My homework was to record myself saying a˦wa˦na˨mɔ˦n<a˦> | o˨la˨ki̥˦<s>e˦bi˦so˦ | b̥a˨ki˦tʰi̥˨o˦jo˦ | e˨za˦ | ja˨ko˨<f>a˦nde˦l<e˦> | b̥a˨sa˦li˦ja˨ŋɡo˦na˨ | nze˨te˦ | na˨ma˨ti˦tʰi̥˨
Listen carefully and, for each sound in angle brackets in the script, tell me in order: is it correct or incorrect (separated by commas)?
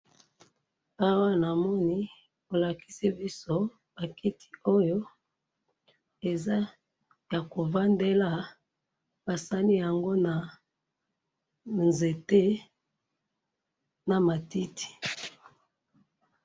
incorrect, correct, incorrect, incorrect